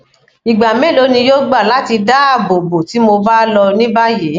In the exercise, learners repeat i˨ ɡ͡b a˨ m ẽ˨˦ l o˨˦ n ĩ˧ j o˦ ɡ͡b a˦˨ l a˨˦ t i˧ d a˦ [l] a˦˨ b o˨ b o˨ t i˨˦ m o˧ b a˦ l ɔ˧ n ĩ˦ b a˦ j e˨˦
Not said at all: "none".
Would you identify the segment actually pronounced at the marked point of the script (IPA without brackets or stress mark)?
none